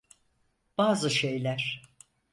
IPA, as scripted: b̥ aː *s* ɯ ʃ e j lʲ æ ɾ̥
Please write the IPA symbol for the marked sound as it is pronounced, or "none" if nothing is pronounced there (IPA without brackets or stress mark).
z